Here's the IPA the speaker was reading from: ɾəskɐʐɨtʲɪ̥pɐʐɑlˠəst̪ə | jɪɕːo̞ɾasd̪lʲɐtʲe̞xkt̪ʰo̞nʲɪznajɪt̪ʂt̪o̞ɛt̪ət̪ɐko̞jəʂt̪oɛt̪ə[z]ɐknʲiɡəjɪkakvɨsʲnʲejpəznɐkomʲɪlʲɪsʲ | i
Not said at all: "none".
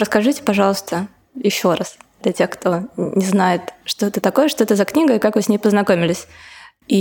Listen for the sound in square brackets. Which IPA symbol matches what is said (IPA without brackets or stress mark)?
z